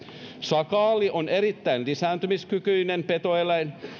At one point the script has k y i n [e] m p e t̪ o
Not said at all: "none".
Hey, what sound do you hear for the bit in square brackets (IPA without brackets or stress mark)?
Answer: e